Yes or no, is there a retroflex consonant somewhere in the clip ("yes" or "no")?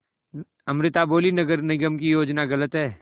no